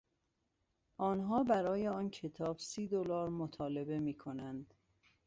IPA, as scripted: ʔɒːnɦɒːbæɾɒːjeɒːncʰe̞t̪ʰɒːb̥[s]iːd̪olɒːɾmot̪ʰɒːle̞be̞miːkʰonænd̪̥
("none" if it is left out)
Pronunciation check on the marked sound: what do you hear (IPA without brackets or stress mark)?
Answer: s